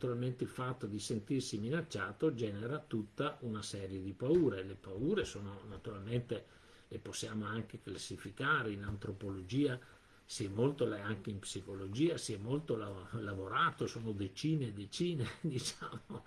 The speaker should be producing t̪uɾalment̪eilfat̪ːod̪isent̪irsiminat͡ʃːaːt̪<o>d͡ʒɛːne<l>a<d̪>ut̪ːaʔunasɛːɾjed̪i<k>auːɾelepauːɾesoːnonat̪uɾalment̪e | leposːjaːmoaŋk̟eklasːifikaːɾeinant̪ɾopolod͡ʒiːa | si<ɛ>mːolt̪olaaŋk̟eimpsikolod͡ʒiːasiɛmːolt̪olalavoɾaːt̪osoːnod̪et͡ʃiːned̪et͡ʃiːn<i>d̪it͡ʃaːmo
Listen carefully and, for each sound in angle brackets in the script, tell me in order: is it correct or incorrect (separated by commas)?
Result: correct, incorrect, incorrect, incorrect, correct, incorrect